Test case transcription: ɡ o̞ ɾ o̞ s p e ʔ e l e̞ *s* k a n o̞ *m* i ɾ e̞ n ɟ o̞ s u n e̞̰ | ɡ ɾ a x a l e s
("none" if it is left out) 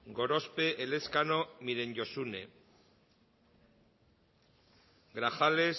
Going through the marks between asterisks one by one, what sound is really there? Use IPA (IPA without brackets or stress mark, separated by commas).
s, m